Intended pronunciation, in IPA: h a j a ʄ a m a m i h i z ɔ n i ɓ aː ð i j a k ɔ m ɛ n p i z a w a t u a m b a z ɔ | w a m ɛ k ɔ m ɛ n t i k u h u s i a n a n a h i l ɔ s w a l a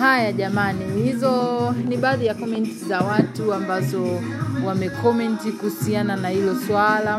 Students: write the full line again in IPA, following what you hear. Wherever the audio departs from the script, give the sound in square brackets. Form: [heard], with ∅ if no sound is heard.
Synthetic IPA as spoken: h a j a ʄ a m a [n] i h i z ɔ n i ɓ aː ð i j a k ɔ m ɛ n [t] i z a w a t u a m b a z ɔ | w a m ɛ k ɔ m ɛ n t i k u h u s i a n a n a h i l ɔ s w a l a